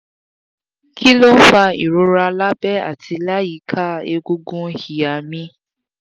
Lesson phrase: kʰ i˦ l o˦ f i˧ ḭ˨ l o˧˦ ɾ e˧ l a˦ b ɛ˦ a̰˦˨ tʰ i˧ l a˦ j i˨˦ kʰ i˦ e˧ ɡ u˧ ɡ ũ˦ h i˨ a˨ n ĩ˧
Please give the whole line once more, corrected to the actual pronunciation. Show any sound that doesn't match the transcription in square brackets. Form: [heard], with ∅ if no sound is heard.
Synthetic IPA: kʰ i˦ l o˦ f [a˧] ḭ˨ [ɾ] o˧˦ ɾ [a˧] l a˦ b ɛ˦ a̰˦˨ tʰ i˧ l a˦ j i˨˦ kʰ [a˦] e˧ ɡ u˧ ɡ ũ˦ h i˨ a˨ [m] ĩ˧